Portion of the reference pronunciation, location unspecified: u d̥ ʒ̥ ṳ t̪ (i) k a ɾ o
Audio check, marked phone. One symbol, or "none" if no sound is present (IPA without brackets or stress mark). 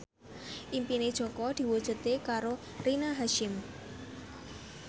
e